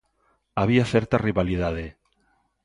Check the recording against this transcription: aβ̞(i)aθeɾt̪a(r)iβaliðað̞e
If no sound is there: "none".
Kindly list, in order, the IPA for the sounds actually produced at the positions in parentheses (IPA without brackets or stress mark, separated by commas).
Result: i, r